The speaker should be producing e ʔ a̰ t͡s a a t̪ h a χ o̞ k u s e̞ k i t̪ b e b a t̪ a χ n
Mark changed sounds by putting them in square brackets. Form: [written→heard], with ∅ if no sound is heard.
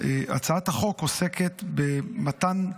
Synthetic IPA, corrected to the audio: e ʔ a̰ t͡s a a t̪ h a χ o̞ k [u→o] s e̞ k [i→e] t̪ b e [b→m] a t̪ a [χ→∅] n